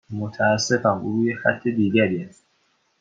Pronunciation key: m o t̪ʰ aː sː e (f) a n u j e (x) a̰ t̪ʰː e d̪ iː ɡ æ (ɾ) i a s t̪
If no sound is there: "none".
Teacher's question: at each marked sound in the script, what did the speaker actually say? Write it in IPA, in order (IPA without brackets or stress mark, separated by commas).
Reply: f, x, ɾ